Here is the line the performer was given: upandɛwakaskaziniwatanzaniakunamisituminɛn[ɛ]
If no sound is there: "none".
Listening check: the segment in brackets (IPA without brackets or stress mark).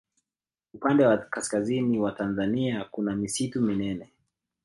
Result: ɛ